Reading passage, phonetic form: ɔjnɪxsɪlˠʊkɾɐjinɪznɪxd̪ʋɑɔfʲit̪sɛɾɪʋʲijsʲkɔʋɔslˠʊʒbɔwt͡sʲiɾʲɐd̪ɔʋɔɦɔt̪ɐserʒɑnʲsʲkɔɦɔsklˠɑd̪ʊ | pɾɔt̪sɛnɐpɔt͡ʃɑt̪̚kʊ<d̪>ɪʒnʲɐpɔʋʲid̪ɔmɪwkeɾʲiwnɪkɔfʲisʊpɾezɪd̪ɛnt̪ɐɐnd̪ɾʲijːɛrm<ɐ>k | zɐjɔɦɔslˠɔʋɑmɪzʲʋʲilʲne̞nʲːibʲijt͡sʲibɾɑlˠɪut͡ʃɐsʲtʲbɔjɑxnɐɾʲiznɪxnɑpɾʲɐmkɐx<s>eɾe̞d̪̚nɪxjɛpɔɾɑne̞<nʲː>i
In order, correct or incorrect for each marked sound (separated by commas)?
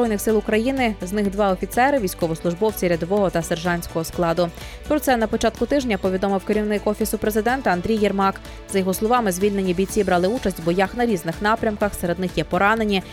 incorrect, incorrect, correct, incorrect